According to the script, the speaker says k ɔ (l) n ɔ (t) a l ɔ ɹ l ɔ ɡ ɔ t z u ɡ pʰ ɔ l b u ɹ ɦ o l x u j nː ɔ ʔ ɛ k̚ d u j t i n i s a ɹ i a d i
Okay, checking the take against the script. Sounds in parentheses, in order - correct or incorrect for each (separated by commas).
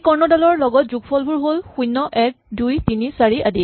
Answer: incorrect, incorrect